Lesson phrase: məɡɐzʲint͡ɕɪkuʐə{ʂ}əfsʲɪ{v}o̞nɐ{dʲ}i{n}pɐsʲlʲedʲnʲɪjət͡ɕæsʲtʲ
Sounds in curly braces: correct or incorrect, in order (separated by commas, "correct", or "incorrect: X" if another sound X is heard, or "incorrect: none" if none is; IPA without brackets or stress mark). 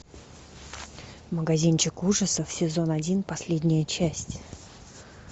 incorrect: s, incorrect: z, correct, correct